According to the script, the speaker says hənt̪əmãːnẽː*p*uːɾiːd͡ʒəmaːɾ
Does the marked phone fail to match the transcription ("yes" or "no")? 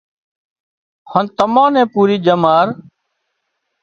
no